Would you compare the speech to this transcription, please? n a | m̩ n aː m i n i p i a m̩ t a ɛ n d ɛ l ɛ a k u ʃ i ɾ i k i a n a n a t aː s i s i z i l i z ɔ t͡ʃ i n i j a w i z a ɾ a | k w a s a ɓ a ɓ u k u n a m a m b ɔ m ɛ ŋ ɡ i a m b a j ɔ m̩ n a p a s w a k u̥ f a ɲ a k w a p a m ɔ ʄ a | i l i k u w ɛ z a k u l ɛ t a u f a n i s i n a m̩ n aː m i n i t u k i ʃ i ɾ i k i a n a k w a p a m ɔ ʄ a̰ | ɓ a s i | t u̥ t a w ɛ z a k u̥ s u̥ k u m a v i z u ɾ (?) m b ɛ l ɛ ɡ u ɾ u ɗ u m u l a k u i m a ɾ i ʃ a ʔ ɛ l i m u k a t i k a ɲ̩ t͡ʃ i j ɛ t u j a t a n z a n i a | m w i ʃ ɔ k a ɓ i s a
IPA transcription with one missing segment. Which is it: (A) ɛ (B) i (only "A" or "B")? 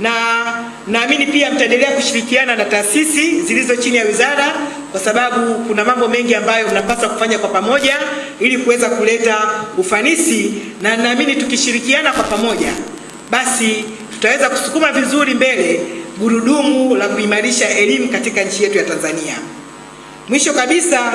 B